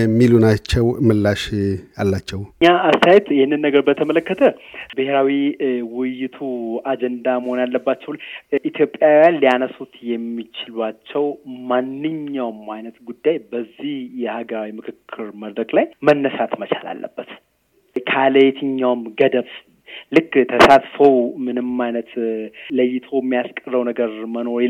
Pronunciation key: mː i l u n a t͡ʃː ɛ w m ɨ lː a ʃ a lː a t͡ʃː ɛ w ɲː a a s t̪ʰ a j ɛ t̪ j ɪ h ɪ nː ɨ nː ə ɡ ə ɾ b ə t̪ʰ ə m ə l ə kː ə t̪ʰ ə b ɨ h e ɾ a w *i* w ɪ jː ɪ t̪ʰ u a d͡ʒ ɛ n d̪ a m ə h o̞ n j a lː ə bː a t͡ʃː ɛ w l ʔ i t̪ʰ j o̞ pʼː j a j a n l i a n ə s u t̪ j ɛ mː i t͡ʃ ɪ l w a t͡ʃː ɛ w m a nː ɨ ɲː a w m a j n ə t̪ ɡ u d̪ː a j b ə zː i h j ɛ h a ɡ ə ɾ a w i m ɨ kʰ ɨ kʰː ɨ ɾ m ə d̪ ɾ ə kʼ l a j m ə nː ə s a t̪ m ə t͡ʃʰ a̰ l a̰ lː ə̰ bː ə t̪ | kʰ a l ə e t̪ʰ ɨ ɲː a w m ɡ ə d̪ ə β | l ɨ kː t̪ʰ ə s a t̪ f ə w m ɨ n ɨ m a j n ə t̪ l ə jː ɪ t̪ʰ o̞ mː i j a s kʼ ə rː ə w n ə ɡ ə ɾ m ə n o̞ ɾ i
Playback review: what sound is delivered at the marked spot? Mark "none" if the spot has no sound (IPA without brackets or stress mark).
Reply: i